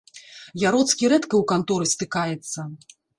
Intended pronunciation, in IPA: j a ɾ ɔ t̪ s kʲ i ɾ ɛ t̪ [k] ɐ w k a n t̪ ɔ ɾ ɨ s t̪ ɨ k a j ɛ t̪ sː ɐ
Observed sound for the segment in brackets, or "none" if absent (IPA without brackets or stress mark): k